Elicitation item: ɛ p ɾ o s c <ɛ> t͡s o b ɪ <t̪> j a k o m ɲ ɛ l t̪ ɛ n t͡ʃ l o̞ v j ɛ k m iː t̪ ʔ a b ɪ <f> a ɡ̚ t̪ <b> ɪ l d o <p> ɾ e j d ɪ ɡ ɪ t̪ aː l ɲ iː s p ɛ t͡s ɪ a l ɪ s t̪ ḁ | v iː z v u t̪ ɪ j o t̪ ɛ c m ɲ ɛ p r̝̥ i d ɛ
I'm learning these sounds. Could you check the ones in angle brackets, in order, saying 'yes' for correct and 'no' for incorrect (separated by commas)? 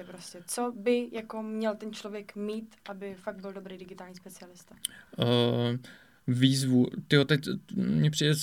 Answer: yes, no, yes, yes, no